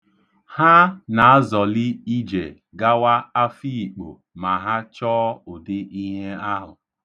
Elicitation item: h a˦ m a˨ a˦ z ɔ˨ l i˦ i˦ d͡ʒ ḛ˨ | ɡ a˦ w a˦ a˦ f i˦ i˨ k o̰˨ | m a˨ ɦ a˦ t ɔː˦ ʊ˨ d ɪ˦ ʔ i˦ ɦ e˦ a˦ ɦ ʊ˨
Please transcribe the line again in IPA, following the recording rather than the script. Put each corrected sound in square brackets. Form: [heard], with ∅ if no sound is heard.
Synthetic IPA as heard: h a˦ [n] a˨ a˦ z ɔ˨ l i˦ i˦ d͡ʒ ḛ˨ | ɡ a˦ w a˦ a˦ f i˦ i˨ [k͡p] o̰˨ | m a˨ ɦ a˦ [t͡ʃ] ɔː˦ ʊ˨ d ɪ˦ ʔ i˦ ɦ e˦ a˦ ɦ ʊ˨